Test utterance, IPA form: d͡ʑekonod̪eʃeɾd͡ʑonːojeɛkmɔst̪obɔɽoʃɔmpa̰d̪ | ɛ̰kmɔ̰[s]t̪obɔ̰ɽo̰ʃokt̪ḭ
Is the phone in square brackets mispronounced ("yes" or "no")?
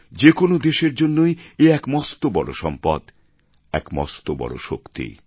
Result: no